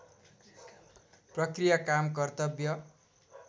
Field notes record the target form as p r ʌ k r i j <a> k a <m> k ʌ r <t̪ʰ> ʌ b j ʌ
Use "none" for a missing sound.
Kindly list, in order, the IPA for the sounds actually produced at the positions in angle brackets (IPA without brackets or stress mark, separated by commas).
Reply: a, m, t̪